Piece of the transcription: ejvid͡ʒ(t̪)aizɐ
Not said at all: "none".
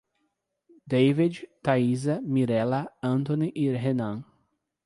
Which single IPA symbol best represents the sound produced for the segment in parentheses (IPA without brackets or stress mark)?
t̪